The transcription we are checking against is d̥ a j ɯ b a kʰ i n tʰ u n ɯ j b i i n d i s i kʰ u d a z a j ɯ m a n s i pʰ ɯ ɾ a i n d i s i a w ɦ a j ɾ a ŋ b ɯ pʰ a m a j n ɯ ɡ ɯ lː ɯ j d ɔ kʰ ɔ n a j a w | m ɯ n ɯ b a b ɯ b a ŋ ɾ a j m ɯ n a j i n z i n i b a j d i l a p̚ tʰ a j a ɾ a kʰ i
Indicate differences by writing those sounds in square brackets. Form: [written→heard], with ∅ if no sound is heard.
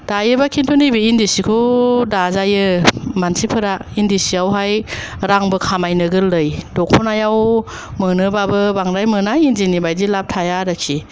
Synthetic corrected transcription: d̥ a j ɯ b a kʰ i n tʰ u n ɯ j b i i n d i s i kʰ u d a z a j ɯ m a n s i pʰ ɯ ɾ a i n d i s i a w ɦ a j ɾ a ŋ b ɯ [pʰ→kʰ] a m a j n ɯ ɡ ɯ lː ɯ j d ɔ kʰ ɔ n a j a w | m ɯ n ɯ b a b ɯ b a ŋ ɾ a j m ɯ n a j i n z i n i b a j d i l a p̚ tʰ a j a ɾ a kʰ i